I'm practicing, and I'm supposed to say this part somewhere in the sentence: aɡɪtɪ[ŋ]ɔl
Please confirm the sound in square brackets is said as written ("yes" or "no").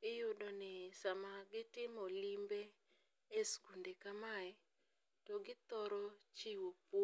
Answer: no